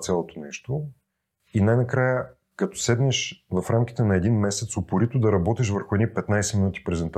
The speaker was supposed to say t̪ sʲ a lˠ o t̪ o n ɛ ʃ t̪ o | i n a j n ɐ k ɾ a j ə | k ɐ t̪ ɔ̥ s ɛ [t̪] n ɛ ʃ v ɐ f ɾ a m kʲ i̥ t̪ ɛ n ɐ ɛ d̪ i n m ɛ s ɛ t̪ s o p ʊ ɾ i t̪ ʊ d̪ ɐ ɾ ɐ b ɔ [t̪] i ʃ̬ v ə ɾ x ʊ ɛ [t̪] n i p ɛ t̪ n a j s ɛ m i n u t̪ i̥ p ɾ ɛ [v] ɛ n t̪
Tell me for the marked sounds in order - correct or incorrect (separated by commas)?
incorrect, correct, incorrect, incorrect